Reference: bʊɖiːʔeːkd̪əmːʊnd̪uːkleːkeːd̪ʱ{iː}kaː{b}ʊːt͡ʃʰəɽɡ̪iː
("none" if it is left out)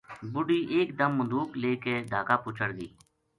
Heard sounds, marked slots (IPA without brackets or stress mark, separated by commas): aː, p